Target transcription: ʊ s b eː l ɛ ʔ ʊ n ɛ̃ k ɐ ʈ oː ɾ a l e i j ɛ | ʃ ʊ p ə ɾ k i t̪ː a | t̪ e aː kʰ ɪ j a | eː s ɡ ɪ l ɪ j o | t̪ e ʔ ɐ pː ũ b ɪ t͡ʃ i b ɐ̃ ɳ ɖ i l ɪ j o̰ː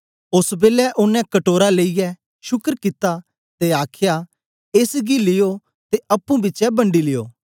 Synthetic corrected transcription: ʊ s b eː l ɛ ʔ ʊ n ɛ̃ k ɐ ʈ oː ɾ a l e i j ɛ | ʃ ʊ k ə ɾ k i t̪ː a | t̪ e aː kʰ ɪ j a | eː s ɡ i l ɪ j o | t̪ e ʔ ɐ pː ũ b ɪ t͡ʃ ɛ b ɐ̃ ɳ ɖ i l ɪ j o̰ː